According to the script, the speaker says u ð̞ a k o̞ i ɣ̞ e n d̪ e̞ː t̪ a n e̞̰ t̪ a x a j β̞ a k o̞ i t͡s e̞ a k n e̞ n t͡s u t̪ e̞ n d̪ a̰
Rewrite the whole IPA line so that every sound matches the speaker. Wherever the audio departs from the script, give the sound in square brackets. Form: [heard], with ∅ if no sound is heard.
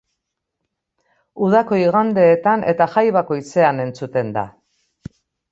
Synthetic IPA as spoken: u ð̞ a k o̞ i ɣ̞ [a] n d̪ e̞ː t̪ a n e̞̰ t̪ a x a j β̞ a k o̞ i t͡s e̞ a [∅] n e̞ n t͡s u t̪ e̞ n d̪ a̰